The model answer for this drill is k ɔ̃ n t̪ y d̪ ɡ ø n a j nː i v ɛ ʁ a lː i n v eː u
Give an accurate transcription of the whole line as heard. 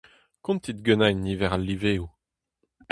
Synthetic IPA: k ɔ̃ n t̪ i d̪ ɡ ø n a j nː i v ɛ ʁ a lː i v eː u